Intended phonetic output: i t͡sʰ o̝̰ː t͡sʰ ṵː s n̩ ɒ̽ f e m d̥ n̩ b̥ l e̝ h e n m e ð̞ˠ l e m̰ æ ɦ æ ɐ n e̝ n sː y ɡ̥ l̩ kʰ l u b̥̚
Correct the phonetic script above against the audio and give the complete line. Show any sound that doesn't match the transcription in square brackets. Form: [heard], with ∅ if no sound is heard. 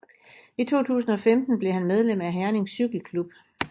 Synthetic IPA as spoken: i t͡sʰ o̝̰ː t͡sʰ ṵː s n̩ ɒ̽ f e m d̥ n̩ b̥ l e̝ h [æ] n m e ð̞ˠ l e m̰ æ ɦ æ ɐ n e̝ [ŋ] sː y ɡ̥ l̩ kʰ l u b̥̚